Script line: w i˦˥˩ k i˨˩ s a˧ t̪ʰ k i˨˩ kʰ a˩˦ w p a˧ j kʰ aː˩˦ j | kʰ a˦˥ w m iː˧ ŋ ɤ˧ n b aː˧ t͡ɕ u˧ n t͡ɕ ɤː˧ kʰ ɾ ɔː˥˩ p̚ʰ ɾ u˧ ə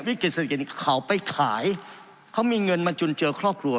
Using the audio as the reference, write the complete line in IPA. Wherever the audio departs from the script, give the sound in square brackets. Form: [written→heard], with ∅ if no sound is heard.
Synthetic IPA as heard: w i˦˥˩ k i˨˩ s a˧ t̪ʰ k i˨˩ kʰ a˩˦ w p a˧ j kʰ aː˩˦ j | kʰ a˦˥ w m iː˧ ŋ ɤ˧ n [b→m] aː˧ t͡ɕ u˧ n t͡ɕ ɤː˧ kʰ ɾ ɔː˥˩ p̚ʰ ɾ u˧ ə